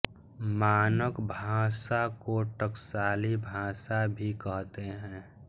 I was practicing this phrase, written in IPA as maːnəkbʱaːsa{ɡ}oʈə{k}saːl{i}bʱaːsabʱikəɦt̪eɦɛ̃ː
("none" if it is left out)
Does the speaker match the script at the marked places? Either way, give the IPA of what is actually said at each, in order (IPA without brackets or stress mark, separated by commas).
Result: k, k, i